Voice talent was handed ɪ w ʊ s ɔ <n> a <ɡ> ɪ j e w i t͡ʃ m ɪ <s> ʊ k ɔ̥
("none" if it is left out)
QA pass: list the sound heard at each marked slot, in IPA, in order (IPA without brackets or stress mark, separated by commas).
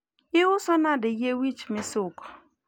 n, d, s